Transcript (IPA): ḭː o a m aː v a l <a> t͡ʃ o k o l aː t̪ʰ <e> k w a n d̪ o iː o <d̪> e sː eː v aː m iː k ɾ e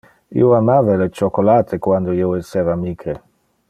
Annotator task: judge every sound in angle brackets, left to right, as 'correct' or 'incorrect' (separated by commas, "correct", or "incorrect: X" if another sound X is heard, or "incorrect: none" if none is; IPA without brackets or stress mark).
incorrect: e, correct, incorrect: none